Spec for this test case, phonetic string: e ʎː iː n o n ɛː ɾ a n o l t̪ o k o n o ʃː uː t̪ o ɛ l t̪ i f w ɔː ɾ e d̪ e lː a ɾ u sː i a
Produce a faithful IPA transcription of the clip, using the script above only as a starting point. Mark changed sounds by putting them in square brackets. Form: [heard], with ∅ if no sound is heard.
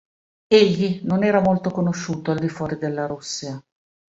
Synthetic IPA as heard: e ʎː [i] n o n ɛː ɾ a [m] o l t̪ o k o n o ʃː uː t̪ o [a] l [d̪] i f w ɔː ɾ [i] d̪ e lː a ɾ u sː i a

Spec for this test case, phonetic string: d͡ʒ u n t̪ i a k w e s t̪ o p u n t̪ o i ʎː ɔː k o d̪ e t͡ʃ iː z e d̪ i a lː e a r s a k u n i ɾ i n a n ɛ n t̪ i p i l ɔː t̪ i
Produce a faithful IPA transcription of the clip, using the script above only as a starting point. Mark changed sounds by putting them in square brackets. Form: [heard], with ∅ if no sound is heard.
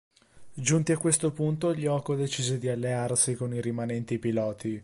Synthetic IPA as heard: d͡ʒ u n t̪ i a k w e s t̪ o p u n t̪ o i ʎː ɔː k o d̪ e t͡ʃ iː z e d̪ i a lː e a r s [i] k [o] n i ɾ i [m] a n ɛ n t̪ i p i l ɔː t̪ i

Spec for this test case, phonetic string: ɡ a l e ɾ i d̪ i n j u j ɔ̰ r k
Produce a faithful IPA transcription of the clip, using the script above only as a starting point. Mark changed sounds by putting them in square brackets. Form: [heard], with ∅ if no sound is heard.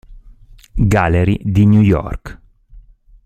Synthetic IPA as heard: ɡ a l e ɾ i d̪ i n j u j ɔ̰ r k

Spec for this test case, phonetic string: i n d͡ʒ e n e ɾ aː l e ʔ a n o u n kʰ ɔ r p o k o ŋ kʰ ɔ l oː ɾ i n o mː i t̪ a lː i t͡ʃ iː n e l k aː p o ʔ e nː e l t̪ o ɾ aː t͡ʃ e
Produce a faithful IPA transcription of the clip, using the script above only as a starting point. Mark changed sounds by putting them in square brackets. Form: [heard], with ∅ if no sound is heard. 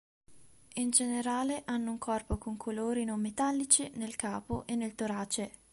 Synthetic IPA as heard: i n d͡ʒ e n e ɾ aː l e ʔ a [nː] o u [ŋ] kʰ ɔ r p o k o ŋ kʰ [o] l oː ɾ i n o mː [e] t̪ a lː i t͡ʃ [i] n e l k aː p o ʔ e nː e l t̪ o ɾ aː t͡ʃ e

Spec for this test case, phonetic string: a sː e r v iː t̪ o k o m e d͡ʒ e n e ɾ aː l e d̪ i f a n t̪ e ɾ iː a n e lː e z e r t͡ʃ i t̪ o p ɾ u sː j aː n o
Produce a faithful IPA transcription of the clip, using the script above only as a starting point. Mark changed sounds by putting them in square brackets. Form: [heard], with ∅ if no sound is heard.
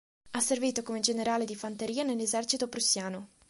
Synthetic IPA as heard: a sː e r v iː t̪ o k o m e d͡ʒ e n e ɾ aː l e d̪ i f a n t̪ e ɾ iː a n e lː e z [ɛ] r t͡ʃ i t̪ o p ɾ u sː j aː n o

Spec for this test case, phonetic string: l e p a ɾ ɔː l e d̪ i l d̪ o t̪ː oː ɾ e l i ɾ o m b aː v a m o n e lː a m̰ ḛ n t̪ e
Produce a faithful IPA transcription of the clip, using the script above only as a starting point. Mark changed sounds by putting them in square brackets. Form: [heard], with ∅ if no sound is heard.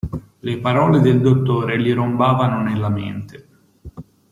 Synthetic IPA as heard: l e p a ɾ ɔː l e d̪ [e] l d̪ o t̪ː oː ɾ e l i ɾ o m b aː v a [n] o n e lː a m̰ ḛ n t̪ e

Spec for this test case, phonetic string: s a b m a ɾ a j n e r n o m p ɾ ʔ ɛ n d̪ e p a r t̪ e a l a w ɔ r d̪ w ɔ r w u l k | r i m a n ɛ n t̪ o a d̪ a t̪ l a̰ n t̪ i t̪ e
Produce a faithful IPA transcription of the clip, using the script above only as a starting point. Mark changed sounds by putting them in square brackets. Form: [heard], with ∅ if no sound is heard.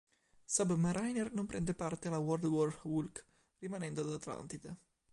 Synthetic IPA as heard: s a b m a ɾ a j n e r n o m p ɾ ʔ ɛ n d̪ e p a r t̪ e a l a w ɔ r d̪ w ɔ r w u l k | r i m a n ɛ n [d̪] o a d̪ a t̪ l a̰ n t̪ i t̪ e

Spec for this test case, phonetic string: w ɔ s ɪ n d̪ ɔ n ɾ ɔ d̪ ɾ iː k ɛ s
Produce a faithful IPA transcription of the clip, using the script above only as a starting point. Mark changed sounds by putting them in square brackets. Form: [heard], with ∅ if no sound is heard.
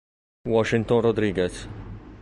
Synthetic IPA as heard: w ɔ [ʃ] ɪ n [t̪] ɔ n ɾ ɔ d̪ ɾ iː [ɡ] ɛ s

